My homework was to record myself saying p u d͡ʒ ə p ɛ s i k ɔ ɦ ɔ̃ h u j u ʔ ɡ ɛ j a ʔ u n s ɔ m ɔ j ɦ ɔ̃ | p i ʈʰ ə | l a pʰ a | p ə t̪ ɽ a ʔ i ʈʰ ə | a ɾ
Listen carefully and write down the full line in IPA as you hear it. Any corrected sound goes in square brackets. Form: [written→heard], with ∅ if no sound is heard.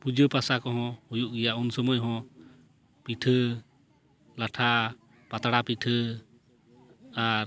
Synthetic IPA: p u d͡ʒ ə p [ɛ→a] s [i→a] k ɔ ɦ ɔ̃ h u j u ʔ ɡ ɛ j a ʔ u n s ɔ m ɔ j ɦ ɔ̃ | p i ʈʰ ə | l a [pʰ→ʈʰ] a | p [ə→a] t̪ ɽ a [ʔ→p] i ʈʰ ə | a ɾ